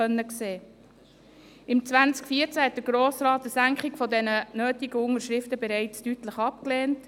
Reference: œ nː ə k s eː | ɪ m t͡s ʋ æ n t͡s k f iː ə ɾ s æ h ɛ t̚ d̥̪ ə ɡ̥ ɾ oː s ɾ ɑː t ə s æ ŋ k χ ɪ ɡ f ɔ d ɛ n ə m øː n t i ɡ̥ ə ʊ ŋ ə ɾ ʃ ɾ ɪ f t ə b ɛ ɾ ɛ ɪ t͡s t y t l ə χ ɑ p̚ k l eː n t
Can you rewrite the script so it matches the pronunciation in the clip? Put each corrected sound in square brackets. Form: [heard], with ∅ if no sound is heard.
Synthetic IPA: œ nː ə k s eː | ɪ m t͡s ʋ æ n t͡s k f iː ə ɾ [t͡s] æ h ɛ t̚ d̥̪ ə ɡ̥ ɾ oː s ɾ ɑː t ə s æ ŋ k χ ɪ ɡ f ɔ d ɛ n ə [n] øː [∅] t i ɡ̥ ə ʊ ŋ ə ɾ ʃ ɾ ɪ f t ə b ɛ ɾ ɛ ɪ t͡s t y t l ə χ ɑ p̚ k l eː n t